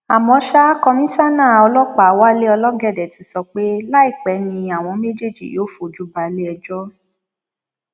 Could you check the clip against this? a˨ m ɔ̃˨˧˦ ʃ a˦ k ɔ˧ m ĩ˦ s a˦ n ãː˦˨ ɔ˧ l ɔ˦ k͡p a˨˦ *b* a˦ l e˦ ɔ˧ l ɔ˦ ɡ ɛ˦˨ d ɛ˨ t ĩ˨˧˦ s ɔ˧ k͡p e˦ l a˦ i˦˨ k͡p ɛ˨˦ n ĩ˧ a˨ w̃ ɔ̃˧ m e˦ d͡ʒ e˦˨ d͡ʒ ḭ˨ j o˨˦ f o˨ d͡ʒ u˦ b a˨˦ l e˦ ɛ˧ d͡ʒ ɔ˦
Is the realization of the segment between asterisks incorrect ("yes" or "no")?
yes